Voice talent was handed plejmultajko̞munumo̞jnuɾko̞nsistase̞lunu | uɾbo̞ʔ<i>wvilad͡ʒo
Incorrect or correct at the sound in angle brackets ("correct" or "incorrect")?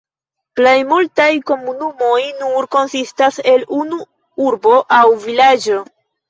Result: incorrect